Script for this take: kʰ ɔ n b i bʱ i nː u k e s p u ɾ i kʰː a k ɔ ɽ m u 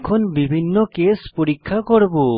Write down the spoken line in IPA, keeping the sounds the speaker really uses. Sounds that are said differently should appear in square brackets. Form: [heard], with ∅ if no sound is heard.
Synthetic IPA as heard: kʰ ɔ n b i bʱ i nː [ɔ] k e s p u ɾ i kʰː a k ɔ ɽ [b] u